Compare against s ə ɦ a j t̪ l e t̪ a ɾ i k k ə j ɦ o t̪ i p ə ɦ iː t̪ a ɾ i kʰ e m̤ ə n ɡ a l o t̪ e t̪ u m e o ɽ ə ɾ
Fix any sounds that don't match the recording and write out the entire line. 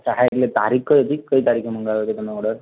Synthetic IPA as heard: s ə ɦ a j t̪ l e t̪ a ɾ i k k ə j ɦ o t̪ i k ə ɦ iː t̪ a ɾ i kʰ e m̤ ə ŋ ɡ a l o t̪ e t̪ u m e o ɽ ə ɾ